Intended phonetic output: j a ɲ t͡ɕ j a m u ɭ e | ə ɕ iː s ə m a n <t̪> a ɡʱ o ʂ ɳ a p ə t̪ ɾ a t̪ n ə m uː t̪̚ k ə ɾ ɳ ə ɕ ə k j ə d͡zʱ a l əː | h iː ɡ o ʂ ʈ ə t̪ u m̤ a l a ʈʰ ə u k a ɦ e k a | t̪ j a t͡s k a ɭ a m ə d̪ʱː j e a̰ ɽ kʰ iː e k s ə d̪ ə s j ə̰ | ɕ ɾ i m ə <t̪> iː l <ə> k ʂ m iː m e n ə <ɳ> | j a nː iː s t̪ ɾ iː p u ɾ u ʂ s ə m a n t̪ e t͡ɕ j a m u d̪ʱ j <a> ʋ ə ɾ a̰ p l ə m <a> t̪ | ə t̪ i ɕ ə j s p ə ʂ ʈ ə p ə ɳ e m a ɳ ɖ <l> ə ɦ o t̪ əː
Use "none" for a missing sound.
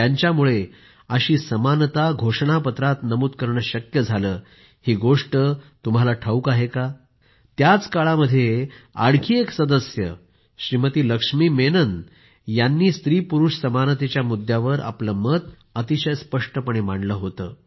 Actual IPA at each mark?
t̪, t̪, ə, n, a, ə, l

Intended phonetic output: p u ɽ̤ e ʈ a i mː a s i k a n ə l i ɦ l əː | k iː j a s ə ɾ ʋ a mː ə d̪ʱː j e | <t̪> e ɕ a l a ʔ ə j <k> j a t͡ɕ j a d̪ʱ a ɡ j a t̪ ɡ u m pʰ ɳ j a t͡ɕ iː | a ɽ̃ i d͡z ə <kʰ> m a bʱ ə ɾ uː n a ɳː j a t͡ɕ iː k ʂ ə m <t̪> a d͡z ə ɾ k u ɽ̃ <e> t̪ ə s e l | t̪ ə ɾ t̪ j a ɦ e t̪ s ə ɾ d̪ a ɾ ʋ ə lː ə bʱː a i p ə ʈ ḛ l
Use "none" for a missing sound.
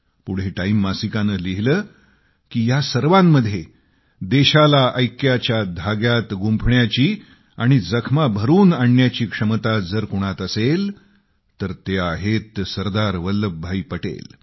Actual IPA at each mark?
d̪, k, kʰ, t̪, a

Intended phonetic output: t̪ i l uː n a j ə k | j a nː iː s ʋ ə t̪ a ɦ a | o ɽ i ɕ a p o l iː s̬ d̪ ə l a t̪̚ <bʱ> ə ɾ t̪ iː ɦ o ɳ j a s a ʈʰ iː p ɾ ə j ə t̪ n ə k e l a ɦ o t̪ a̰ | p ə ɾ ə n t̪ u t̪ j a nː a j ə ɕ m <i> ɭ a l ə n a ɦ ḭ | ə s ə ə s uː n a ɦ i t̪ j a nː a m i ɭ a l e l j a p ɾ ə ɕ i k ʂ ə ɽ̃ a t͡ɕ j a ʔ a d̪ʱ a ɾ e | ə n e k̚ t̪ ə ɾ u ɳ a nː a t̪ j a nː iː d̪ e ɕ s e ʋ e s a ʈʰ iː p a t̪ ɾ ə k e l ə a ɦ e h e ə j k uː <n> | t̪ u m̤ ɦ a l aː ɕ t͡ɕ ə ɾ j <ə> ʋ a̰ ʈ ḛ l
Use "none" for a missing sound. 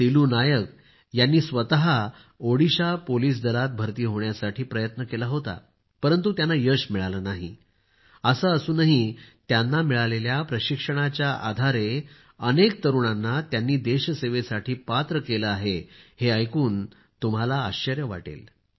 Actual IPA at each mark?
bʱ, i, n, ə

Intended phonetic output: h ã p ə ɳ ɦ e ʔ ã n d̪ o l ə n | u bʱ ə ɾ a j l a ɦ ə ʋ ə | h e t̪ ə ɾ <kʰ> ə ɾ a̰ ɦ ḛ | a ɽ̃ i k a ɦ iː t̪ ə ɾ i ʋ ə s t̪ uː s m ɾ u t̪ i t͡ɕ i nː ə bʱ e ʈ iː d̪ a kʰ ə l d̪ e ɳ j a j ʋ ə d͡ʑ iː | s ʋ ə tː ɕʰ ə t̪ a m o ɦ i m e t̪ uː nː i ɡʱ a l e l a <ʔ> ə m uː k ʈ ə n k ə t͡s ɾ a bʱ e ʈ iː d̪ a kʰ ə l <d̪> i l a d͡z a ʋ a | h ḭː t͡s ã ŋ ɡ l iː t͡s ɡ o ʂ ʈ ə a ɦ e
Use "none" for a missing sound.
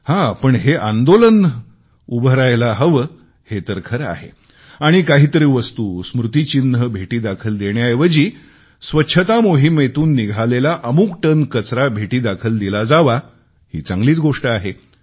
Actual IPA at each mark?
kʰ, ʔ, d̪

